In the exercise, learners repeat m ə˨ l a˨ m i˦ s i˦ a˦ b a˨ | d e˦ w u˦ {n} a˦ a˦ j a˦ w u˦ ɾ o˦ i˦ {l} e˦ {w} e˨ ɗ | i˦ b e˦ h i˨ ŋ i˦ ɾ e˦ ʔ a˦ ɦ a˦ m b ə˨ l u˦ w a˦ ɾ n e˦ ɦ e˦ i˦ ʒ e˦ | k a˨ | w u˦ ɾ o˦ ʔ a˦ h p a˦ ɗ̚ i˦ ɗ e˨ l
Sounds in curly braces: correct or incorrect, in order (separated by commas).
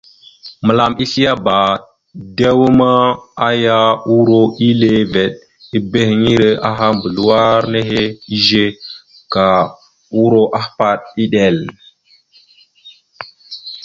incorrect, correct, incorrect